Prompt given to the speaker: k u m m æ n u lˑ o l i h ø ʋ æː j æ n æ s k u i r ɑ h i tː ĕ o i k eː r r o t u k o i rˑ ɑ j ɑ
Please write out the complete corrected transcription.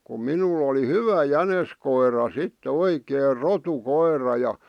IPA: k u m m i n u lˑ o l i h y ʋ æ j æ n e s k o i r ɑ s i tː ĕ o i k eː r r o t u k o i rˑ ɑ j ɑ

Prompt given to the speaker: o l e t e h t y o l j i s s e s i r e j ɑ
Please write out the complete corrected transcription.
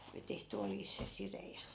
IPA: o l i t e h t y o l j i s s e s i r e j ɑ

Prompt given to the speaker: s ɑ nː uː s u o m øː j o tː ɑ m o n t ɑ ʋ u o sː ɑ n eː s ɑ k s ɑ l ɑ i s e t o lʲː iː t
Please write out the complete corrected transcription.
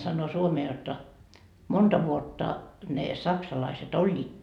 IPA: s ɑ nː oː s u o m eː j o tː ɑ m o n t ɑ ʋ u o tː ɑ n e s ɑ k s ɑ l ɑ i s e t o lʲː iː t

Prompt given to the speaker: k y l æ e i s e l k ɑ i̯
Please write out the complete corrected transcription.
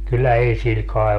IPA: k y lː æ e i s i l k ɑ i̯

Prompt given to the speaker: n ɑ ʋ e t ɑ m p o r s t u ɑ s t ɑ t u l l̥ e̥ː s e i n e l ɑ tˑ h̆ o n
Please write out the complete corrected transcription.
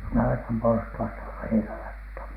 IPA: n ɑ ʋ e t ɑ m p o r s t u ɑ s t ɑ t u l l̥ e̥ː h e i n æ l ɑ tˑ h̆ o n

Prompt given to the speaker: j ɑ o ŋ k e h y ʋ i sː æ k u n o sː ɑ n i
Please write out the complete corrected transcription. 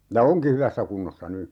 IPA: j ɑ o ŋ k i h y ʋ æ sː æ k u nː o sː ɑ n y

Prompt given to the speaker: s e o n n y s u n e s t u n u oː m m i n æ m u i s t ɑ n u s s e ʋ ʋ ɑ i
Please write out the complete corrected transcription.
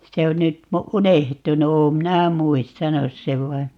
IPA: s e o n n y t u n e h t u n u oː m m i n æ m u i s t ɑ n u s s e ʋ ʋ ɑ i

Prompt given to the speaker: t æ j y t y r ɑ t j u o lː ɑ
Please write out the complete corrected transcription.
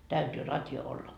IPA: t æ y t yː r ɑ t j o o lː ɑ

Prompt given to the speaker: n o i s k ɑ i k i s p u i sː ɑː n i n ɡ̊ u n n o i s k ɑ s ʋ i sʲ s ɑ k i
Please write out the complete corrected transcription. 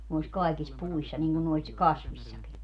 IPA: n o i s k ɑ i k i s p u i sː ɑ n i ŋ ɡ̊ u n n o i s k ɑ s ʋ i sʲ s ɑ k i

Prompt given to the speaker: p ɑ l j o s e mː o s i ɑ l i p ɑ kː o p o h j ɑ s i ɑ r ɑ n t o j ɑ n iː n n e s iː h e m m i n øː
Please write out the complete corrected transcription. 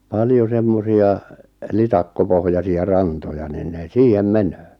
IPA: p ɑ l j o s e mː o s i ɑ l i t ɑ kː o p o h j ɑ s i ɑ r ɑ n t o j ɑ n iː n n e s iː h e m m e n øː

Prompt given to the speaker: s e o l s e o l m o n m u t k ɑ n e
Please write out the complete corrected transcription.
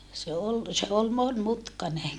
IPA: s e o l s e o l m o n m u t k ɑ n e

